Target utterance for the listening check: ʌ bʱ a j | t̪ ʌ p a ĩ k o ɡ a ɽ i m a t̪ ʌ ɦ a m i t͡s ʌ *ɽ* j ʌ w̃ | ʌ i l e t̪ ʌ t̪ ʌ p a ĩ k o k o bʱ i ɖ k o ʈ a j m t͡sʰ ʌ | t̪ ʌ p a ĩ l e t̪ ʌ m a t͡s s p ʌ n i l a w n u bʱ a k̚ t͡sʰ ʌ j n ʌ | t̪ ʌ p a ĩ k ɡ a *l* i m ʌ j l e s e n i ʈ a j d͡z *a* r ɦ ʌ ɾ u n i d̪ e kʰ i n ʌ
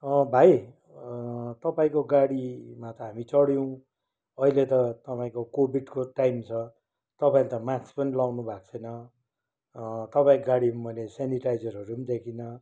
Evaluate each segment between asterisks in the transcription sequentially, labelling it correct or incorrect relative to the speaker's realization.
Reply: correct, incorrect: ɽ, incorrect: ʌ

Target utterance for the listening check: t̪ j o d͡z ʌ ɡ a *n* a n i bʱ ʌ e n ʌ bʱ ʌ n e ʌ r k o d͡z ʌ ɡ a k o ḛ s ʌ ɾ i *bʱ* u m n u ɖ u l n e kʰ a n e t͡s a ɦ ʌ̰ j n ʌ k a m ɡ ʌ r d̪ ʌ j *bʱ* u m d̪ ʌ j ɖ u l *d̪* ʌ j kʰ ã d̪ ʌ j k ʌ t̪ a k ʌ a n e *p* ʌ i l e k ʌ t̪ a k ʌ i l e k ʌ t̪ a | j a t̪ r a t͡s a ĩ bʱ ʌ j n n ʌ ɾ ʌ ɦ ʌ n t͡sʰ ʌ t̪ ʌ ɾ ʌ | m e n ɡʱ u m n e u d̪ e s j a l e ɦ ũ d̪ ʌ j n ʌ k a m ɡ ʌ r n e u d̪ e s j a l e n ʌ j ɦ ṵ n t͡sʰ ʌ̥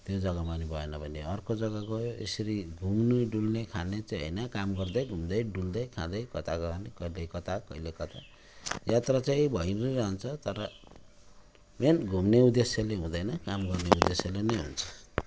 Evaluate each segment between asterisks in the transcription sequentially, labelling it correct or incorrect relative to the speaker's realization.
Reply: incorrect: m, incorrect: ɡʱ, incorrect: ɡʱ, correct, incorrect: k

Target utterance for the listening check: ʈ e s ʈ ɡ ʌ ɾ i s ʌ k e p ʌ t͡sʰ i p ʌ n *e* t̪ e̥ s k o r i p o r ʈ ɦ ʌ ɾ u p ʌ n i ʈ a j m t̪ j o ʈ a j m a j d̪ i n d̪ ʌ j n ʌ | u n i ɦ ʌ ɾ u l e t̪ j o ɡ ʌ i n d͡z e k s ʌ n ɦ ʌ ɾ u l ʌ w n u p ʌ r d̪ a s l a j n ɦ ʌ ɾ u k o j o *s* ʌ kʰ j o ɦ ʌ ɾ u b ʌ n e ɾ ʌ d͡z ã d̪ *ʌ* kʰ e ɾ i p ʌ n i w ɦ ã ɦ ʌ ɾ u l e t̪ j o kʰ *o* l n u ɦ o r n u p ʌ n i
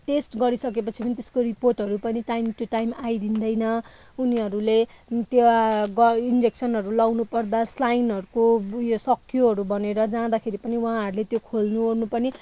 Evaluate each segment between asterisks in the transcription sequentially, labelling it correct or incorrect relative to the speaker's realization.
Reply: incorrect: i, correct, incorrect: a, correct

